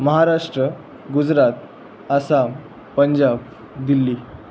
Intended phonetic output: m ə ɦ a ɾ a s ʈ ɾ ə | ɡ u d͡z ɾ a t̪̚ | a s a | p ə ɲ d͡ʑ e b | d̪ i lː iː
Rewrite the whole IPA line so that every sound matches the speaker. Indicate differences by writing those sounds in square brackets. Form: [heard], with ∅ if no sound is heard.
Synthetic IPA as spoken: m ə ɦ a ɾ a [ʂ] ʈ ɾ ə | ɡ u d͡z ɾ a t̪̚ | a s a | p ə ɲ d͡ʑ [a] b | d̪ i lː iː